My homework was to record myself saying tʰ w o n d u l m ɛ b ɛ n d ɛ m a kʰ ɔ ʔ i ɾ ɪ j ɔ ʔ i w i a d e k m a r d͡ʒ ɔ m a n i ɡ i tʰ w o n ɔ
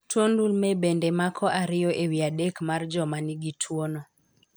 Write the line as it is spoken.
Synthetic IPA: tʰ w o n d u l m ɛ b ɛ n d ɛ m a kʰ ɔ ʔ a ɾ ɪ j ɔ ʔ e w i a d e k m a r d͡ʒ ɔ m a n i ɡ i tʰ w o n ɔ